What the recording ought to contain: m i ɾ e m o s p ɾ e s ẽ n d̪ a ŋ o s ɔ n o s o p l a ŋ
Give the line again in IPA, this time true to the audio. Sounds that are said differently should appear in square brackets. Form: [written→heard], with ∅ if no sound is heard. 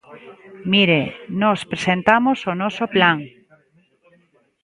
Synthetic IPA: m i ɾ e [m→n] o s p ɾ e s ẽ n [d̪→t̪] a [ŋ→m] o s [ɔ→o] n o s o p l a ŋ